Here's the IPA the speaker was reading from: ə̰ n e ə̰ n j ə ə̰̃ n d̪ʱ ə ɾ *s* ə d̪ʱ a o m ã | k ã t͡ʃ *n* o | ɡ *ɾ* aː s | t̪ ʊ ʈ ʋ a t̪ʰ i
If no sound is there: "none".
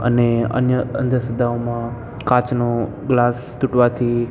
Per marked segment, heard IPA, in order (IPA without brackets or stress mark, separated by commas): s, n, l